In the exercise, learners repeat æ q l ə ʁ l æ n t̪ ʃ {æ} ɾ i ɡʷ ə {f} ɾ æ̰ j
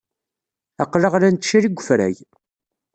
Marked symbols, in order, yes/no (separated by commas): no, yes